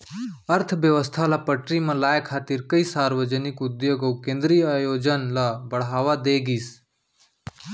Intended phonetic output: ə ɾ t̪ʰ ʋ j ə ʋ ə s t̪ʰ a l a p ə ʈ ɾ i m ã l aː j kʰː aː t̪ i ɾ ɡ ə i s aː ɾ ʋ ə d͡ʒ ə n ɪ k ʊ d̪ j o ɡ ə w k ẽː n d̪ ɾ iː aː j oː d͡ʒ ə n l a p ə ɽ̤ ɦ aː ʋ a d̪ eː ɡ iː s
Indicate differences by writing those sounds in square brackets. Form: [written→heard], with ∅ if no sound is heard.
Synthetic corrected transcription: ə ɾ t̪ʰ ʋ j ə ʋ ə s t̪ʰ a l a p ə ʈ ɾ i m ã l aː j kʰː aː t̪ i ɾ [ɡ→k] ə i s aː ɾ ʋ ə d͡ʒ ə n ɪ k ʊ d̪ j o ɡ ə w k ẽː n d̪ ɾ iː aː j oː d͡ʒ ə n l a [p→b] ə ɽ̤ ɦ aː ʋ a d̪ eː ɡ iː s